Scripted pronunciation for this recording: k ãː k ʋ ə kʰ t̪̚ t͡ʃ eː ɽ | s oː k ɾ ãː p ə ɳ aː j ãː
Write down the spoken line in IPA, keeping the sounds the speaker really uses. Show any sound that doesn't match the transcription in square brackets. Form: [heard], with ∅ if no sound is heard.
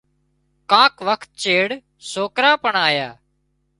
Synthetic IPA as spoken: k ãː k ʋ ə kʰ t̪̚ t͡ʃ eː ɽ | s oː k ɾ [aː] p ə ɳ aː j [aː]